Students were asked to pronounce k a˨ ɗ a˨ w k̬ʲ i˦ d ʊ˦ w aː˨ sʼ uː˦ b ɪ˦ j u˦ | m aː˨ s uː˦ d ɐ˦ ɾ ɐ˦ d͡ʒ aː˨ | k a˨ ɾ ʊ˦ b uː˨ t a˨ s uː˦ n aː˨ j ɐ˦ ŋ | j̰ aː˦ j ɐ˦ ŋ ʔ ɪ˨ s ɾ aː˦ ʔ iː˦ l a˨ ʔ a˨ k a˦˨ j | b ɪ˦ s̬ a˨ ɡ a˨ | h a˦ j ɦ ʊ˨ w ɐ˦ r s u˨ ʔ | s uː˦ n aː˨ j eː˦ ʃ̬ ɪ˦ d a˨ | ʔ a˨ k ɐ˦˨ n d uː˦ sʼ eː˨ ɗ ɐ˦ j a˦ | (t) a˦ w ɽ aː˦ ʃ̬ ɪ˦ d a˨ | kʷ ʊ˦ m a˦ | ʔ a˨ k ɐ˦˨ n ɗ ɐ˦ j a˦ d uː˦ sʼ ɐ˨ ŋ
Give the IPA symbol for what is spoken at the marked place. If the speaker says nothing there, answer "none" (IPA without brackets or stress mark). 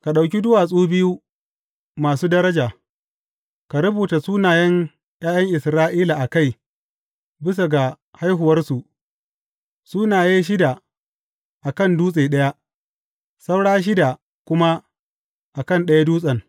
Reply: s